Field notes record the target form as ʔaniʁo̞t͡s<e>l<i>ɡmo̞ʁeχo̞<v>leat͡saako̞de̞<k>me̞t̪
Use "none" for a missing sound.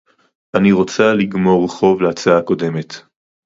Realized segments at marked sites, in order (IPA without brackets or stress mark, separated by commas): a, i, v, none